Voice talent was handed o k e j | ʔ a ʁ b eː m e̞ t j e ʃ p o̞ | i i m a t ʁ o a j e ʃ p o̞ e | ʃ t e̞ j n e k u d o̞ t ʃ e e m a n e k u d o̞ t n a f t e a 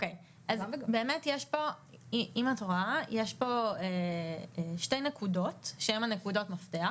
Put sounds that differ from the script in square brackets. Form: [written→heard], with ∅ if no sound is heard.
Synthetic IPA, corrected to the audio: o k e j | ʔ a [ʁ→z] b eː m e̞ t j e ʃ p o̞ | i i m a t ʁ o a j e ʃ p o̞ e | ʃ t e̞ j n e k u d o̞ t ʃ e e m a n e k u d o̞ t [n→m] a f t e a